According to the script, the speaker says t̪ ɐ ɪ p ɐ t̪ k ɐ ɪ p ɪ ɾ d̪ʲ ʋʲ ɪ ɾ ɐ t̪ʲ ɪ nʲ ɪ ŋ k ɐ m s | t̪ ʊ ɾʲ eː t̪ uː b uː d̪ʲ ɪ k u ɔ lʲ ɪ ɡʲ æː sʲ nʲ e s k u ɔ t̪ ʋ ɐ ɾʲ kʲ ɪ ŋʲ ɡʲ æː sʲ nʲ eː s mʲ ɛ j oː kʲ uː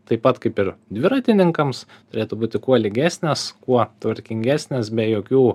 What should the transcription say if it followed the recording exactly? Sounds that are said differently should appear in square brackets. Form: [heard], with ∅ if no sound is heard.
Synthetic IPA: t̪ ɐ ɪ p ɐ t̪ k ɐ ɪ p ɪ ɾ d̪ʲ ʋʲ ɪ ɾ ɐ t̪ʲ ɪ nʲ ɪ ŋ k ɐ m s | t̪ ʊ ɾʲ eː t̪ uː b uː [t̪ʲ] ɪ k u ɔ lʲ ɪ ɡʲ æː sʲ nʲ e s k u ɔ t̪ ʋ ɐ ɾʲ kʲ ɪ ŋʲ ɡʲ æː sʲ nʲ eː s [bʲ] ɛ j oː kʲ uː